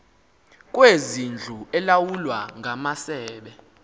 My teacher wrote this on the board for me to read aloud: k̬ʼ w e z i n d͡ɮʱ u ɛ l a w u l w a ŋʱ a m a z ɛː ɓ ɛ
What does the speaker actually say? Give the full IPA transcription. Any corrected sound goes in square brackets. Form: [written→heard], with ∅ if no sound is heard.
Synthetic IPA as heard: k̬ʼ w e z i n d͡ɮʱ u ɛ l a w u l w a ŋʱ a m a [z→s] ɛː ɓ ɛ